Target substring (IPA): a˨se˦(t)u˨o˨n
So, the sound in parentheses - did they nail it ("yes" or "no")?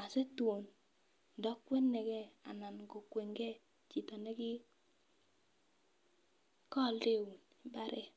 yes